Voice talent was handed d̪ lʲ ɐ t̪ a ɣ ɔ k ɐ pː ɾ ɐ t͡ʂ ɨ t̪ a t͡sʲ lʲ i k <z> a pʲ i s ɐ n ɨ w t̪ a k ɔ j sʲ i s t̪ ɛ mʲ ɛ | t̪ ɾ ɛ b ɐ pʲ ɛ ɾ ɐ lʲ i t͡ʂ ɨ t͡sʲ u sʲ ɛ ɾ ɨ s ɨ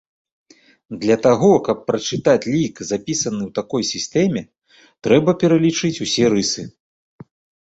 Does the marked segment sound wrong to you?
no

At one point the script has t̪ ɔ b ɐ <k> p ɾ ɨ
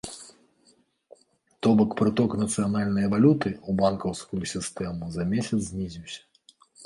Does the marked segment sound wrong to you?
no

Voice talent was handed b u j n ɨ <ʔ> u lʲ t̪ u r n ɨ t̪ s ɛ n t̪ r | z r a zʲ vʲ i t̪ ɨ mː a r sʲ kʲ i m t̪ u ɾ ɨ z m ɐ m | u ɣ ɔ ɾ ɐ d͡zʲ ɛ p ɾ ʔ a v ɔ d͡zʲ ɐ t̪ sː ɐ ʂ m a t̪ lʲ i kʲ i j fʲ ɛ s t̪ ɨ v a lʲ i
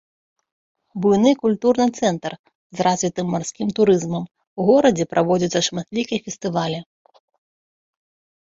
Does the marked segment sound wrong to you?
yes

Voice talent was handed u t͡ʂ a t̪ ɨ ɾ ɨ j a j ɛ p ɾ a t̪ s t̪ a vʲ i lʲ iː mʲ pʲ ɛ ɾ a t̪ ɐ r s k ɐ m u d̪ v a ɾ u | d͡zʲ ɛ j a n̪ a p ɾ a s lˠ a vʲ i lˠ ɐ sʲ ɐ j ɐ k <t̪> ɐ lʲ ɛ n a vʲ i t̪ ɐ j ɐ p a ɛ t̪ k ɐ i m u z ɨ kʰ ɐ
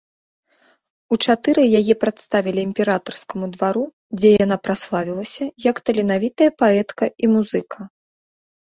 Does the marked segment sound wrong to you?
no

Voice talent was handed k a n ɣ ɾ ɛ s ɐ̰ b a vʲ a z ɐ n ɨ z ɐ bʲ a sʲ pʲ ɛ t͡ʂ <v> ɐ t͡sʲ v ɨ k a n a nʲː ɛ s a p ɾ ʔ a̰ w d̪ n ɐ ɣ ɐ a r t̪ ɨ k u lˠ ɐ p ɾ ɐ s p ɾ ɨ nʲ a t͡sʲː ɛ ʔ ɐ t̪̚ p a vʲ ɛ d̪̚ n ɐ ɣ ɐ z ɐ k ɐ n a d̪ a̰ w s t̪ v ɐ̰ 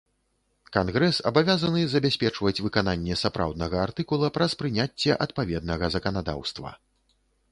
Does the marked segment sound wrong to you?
no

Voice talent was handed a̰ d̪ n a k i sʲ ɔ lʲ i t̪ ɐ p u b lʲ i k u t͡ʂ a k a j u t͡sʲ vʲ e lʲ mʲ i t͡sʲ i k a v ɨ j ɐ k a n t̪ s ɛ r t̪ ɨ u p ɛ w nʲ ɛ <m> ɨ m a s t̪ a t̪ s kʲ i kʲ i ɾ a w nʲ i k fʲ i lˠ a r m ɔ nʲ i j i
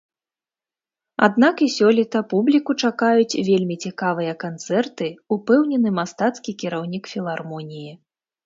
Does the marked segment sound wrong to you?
yes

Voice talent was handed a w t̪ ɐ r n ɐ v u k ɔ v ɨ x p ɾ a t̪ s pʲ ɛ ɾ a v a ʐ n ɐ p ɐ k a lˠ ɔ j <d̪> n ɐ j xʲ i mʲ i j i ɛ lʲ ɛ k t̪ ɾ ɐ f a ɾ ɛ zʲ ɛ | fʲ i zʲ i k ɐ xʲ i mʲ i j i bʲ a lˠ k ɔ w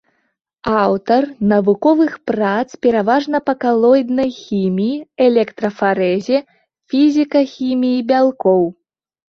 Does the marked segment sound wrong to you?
no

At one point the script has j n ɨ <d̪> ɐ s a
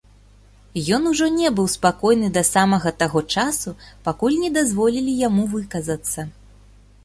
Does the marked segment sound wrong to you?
no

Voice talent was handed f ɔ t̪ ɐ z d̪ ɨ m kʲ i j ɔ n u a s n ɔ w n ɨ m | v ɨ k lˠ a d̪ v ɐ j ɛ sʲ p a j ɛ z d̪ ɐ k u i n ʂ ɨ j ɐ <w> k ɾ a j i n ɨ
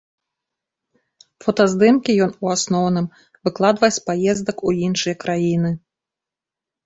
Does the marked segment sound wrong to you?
yes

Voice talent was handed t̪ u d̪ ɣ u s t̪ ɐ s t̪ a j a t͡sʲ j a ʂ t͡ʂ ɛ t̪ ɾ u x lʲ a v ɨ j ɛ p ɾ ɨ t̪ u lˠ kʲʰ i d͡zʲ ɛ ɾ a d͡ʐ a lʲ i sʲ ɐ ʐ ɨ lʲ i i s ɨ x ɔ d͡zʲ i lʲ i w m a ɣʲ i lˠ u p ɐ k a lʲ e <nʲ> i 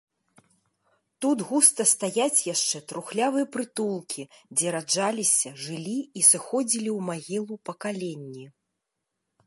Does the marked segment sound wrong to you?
yes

